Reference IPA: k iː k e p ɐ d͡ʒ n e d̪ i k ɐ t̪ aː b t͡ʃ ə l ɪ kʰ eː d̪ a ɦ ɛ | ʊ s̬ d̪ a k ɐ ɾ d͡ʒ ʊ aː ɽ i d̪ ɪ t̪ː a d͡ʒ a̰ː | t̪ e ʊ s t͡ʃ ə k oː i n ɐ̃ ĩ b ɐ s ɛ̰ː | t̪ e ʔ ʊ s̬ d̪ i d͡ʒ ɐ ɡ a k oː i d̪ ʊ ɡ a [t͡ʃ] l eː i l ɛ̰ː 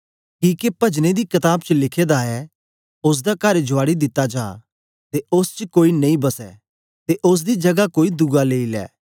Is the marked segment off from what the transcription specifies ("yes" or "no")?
yes